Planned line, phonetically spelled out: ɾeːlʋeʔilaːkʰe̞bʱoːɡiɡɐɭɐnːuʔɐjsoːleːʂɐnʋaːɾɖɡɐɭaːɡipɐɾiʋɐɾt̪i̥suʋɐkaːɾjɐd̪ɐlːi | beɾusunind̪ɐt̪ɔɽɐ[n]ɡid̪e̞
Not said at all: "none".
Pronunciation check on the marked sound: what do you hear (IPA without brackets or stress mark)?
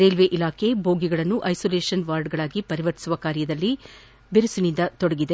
none